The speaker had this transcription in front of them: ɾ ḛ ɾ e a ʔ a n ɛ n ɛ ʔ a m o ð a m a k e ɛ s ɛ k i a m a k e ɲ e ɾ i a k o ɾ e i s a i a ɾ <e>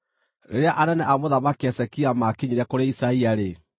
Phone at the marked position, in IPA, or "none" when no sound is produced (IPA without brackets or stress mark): e